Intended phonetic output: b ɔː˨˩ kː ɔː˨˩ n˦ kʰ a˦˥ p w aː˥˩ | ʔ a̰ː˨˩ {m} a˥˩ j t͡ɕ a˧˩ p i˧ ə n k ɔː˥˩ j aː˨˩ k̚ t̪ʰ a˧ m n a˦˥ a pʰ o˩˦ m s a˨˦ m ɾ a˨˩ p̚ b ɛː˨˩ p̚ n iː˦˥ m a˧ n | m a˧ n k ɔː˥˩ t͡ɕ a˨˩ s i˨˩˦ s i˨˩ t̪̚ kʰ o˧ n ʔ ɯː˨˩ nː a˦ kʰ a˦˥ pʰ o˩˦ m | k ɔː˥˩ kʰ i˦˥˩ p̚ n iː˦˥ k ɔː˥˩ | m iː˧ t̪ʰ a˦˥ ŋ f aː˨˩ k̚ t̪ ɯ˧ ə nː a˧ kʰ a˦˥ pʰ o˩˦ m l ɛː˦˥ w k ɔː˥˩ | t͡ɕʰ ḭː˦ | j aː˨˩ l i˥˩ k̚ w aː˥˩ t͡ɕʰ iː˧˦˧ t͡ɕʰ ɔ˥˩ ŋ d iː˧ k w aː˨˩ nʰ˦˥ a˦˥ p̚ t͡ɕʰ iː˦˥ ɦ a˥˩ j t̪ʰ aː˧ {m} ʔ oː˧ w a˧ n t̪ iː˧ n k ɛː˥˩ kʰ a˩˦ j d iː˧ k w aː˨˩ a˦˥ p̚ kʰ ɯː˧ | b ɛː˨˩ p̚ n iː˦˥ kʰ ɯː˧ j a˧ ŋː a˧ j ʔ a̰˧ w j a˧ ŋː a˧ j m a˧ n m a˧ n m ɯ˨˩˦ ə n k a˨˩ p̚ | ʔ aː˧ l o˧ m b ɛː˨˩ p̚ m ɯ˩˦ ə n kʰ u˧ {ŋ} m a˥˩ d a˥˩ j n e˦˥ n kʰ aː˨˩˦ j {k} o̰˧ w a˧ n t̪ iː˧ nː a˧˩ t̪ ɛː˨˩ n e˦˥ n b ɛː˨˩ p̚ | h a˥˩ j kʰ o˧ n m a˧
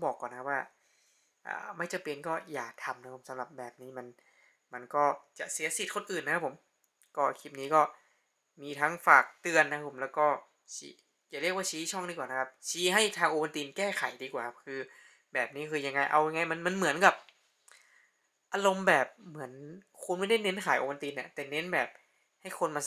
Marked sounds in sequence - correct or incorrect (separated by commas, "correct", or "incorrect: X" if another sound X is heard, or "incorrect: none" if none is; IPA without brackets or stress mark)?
correct, incorrect: ŋ, incorrect: n, incorrect: ʔ